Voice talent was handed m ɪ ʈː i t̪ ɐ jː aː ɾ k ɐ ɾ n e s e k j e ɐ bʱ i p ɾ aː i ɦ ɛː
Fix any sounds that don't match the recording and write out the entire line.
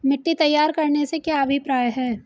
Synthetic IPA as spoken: m ɪ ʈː i t̪ ɐ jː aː ɾ k ɐ ɾ n e s e k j a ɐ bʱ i p ɾ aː j ɦ ɛː

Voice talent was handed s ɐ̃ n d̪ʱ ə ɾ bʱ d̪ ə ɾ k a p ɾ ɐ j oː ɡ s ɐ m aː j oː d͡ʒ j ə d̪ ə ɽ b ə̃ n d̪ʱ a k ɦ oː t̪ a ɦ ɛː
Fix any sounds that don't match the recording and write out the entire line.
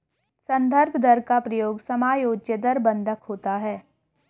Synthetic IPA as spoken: s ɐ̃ n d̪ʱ ə ɾ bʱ d̪ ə ɾ k a p ɾ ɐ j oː ɡ s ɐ m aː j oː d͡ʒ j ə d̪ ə ɾ b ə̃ n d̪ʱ ə k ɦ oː t̪ a ɦ ɛː

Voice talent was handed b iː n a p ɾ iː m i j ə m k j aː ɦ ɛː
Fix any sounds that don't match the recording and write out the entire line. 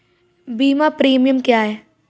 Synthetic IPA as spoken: b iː m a p ɾ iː m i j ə m k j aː ɦ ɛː

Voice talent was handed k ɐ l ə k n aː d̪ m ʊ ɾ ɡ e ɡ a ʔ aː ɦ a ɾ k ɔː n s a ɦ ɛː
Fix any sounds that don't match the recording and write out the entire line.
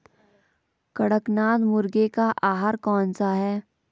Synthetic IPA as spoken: k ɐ ɽ ə k n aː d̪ m ʊ ɾ ɡ e k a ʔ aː ɦ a ɾ k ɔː n s a ɦ ɛː

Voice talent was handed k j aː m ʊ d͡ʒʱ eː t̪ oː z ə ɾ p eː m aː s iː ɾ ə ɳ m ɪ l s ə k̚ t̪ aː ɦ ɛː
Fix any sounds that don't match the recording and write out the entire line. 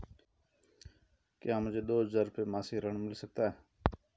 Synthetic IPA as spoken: k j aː m ʊ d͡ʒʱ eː d̪ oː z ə ɾ p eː m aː s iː ɾ ə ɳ m ɪ l s ə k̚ t̪ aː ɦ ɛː

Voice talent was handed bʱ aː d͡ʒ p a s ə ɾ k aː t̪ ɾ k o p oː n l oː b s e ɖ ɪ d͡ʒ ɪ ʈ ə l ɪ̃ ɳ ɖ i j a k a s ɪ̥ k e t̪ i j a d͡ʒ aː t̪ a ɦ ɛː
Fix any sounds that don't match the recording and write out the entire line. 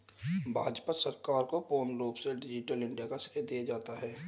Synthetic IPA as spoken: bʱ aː d͡ʒ p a s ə ɾ k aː ɾ k o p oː n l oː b s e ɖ ɪ d͡ʒ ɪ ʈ ə l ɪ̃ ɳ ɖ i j a k a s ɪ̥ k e d̪ i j a d͡ʒ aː t̪ a ɦ ɛː

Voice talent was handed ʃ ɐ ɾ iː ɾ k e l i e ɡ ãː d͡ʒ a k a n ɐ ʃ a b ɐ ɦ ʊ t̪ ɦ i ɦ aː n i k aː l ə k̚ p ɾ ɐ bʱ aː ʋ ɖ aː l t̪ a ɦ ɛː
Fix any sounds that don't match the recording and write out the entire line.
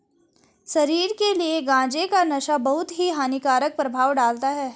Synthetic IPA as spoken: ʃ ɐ ɾ iː ɾ k e l i e ɡ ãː d͡ʒ e k a n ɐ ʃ a b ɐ ɦ ʊ t̪ ɦ i ɦ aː n i k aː ɾ ə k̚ p ɾ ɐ bʱ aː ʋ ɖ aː l t̪ a ɦ ɛː

